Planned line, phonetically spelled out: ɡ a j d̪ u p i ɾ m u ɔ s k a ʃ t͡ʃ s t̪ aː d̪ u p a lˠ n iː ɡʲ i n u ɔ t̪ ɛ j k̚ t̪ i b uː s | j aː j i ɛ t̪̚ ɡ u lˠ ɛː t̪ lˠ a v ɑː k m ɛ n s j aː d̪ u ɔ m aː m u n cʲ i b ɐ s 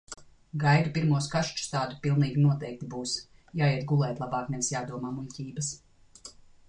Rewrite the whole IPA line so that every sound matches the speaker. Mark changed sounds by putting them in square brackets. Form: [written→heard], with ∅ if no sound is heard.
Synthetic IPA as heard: ɡ a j d̪ u p i ɾ m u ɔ s k a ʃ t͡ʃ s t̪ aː d̪ u p [a→i] lˠ n iː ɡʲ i n u ɔ t̪ ɛ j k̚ t̪ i b uː s | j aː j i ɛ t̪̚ ɡ u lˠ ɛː t̪ lˠ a [v→b] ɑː k m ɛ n s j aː d̪ u ɔ m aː m u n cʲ [i→iː] b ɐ s